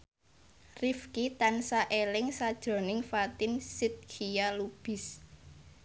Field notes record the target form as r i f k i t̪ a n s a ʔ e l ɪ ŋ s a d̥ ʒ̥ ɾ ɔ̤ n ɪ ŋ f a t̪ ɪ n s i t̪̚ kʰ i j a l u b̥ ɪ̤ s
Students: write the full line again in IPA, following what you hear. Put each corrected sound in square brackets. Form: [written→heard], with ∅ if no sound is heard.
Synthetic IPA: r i f k i t̪ a n s a ʔ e l ɪ ŋ s a d̥ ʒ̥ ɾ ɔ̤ n ɪ ŋ f a t̪ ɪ n s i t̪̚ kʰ i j a l u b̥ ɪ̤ s